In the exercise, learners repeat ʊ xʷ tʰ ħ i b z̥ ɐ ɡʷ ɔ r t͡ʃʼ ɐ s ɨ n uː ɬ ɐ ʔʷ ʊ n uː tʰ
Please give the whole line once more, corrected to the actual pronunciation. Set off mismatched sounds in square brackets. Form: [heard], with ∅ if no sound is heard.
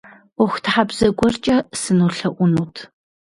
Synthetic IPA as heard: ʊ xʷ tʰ ħ [a] b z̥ ɐ ɡʷ ɔ r t͡ʃʼ ɐ s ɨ n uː ɬ ɐ ʔʷ ʊ n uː tʰ